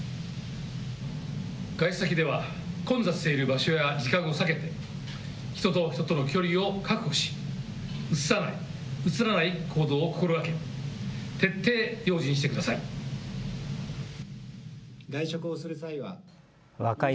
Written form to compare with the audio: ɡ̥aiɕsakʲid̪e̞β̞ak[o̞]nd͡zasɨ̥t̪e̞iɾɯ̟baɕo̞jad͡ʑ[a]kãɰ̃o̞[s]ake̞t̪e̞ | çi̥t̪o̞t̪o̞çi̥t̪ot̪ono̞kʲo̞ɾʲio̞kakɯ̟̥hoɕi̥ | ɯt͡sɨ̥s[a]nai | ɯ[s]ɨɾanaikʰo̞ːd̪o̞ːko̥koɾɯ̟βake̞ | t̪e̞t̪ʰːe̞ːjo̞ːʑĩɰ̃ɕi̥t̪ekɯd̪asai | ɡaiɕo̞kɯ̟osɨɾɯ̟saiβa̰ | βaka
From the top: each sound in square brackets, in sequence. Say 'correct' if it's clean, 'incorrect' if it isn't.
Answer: incorrect, incorrect, correct, correct, incorrect

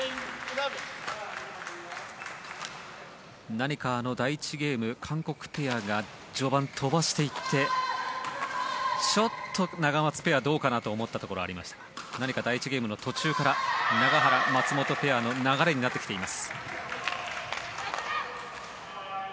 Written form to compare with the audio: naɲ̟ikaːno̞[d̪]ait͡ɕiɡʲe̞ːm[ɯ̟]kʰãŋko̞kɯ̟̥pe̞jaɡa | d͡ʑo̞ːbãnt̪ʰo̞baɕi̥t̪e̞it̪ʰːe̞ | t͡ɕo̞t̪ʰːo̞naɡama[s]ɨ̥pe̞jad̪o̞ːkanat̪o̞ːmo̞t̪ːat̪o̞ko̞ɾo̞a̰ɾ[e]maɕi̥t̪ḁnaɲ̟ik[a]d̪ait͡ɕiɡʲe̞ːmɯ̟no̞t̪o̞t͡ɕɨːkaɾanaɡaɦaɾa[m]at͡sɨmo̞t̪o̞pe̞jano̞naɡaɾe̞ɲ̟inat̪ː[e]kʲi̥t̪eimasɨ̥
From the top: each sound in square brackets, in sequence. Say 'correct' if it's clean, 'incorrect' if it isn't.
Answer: correct, correct, incorrect, incorrect, correct, correct, correct

